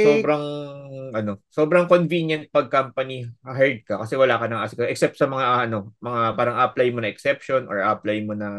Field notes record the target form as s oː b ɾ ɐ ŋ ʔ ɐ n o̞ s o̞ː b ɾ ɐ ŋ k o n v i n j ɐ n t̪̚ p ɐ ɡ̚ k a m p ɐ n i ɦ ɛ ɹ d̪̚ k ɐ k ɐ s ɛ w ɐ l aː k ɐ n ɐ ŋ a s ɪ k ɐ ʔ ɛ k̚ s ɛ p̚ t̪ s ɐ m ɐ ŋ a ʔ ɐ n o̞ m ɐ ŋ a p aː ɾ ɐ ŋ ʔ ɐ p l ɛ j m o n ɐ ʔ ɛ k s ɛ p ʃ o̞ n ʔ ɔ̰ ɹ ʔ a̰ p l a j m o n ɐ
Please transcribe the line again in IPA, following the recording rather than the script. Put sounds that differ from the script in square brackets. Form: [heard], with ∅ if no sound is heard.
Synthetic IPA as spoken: s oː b ɾ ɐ ŋ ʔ ɐ n o̞ s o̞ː b ɾ ɐ ŋ k o n v i n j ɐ n t̪̚ p ɐ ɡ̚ k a m p ɐ n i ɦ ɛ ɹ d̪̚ k ɐ k ɐ s ɛ w ɐ l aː k ɐ n ɐ ŋ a s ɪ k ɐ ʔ ɛ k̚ s ɛ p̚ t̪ s ɐ m ɐ ŋ a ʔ ɐ n o̞ m ɐ ŋ a p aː ɾ ɐ ŋ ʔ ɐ p l [a] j m o n ɐ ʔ ɛ k s ɛ p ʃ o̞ n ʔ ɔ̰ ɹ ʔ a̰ p l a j m o n ɐ